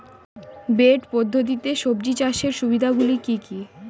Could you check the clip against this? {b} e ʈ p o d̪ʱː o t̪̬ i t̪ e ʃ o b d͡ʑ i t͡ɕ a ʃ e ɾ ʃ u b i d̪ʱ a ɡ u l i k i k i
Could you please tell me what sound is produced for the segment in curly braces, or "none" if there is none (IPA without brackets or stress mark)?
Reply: b